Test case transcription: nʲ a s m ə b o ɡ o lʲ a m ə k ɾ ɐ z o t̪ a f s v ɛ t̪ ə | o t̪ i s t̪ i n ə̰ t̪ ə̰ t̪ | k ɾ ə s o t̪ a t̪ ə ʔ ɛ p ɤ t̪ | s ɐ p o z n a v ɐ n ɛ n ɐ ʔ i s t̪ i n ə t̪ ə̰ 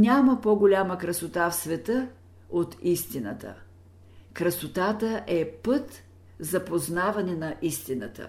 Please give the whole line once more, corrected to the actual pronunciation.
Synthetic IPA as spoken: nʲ a m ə p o ɡ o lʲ a m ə k ɾ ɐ s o t̪ a f s v ɛ t̪ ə | o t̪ i s t̪ i n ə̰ t̪ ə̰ | k ɾ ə s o t̪ a t̪ ə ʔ ɛ p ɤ t̪ | z ɐ p o z n a v ɐ n ɛ n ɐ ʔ i s t̪ i n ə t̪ ə̰